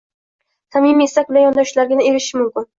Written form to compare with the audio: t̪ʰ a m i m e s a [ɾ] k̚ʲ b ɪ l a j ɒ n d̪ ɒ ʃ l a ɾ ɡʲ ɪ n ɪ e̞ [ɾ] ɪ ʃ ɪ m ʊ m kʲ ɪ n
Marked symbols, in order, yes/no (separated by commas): no, yes